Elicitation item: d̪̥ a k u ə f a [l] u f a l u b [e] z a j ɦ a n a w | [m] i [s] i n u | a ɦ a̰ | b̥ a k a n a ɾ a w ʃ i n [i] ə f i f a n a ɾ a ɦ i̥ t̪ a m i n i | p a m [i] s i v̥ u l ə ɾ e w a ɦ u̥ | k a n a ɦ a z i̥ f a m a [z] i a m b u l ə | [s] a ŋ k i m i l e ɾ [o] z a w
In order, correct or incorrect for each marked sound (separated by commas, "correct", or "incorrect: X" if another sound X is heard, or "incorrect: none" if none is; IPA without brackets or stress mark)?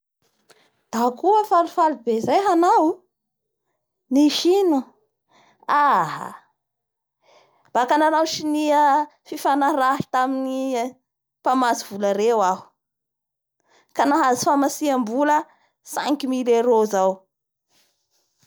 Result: correct, correct, incorrect: n, incorrect: ʃ, correct, incorrect: a, incorrect: s, correct, correct